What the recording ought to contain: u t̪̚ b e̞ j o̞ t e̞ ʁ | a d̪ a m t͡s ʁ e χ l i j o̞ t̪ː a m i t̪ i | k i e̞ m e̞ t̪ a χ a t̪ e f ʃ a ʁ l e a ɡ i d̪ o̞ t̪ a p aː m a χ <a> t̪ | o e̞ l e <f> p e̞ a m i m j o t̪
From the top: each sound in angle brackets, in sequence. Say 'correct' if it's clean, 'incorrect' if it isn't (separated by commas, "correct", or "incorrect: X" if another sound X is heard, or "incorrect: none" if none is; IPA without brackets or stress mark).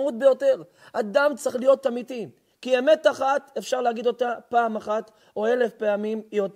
correct, correct